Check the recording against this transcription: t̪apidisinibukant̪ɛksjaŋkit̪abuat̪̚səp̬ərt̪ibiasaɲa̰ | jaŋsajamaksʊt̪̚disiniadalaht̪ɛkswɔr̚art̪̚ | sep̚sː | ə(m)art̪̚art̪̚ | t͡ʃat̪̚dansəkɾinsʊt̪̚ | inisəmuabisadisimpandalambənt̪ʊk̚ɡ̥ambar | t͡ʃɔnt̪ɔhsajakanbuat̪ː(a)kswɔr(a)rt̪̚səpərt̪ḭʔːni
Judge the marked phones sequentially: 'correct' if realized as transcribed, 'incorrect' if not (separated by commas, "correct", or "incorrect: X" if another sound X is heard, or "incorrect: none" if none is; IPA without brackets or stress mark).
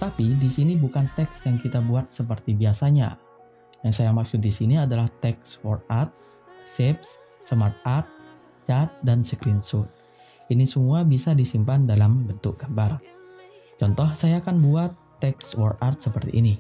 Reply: correct, incorrect: ɛ, correct